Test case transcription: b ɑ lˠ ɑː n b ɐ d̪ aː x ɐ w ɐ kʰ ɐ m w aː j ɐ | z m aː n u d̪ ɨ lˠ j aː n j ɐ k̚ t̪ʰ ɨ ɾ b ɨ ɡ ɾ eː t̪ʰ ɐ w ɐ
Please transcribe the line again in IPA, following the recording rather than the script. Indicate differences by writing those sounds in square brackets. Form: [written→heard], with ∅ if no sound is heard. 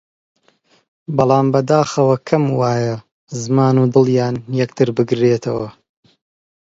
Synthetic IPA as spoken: b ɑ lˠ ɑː [n→m] b ɐ d̪ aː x ɐ w ɐ kʰ ɐ m w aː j ɐ | z m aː n u d̪ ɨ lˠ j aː n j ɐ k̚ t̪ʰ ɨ ɾ b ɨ ɡ ɾ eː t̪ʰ ɐ w ɐ